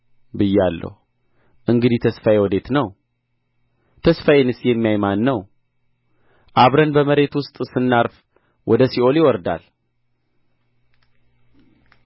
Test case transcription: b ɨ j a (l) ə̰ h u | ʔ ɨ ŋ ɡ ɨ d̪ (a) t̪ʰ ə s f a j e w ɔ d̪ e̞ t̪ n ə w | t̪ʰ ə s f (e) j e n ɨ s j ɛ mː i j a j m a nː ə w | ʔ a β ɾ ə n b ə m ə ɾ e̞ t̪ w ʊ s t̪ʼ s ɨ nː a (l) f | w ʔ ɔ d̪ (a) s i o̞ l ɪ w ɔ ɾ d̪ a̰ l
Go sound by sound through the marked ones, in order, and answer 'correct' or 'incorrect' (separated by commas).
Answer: incorrect, incorrect, incorrect, incorrect, incorrect